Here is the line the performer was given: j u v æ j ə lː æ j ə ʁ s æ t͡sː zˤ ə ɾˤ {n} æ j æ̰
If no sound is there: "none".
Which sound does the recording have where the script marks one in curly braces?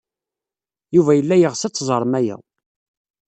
m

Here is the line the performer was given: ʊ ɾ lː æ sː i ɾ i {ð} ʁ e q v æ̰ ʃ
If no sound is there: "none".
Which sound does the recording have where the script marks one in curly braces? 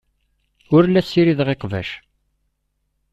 ð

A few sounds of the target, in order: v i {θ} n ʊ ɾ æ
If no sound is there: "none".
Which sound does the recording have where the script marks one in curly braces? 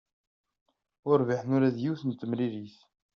ħ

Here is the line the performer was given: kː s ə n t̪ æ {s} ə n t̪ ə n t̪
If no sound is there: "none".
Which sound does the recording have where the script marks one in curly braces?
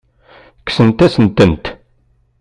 s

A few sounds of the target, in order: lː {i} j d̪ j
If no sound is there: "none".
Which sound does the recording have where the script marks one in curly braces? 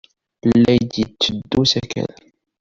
æ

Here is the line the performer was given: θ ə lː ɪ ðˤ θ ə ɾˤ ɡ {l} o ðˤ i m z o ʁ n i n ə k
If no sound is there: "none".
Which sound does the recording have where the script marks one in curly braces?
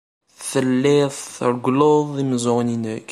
l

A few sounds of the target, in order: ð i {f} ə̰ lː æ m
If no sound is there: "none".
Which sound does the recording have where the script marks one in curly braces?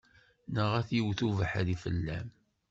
f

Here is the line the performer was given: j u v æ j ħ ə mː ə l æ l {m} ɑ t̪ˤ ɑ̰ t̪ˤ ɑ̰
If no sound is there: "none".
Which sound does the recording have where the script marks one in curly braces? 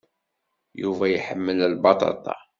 b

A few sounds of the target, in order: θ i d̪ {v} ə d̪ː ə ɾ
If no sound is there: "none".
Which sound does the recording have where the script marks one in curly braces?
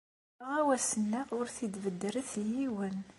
v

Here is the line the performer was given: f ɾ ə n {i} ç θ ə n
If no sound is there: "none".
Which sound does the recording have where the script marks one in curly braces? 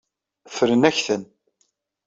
æ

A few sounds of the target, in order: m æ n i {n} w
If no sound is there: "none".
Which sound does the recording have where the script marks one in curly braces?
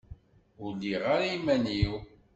none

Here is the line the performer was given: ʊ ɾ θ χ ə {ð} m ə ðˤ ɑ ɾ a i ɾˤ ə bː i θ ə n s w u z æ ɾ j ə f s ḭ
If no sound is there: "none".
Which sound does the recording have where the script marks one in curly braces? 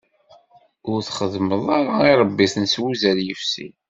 ð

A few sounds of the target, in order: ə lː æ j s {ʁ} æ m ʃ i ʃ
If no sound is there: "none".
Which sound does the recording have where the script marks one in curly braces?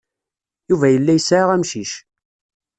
ʁ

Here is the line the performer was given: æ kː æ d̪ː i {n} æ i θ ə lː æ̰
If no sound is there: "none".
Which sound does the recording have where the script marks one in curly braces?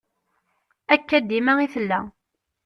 m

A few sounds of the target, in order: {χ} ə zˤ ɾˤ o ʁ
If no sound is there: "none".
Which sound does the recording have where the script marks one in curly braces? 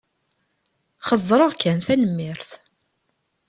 χ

